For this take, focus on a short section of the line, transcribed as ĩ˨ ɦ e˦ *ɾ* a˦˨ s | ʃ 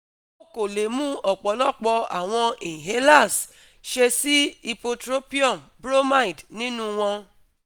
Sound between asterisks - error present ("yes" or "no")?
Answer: yes